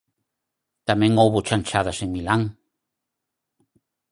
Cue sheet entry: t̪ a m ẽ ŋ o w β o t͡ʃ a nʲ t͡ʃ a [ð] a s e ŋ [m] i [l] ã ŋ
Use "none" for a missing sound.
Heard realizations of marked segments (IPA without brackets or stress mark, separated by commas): ð, m, l